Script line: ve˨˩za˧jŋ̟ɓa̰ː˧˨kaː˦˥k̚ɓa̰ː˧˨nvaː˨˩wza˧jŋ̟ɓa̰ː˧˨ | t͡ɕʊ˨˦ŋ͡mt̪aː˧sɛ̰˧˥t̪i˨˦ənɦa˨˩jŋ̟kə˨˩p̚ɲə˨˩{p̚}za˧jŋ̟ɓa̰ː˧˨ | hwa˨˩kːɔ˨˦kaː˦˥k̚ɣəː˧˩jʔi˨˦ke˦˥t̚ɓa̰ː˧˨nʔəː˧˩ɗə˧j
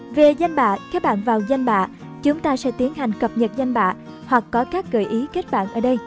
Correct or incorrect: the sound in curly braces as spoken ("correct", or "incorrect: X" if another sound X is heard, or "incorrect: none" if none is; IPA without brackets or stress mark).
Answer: incorrect: t̚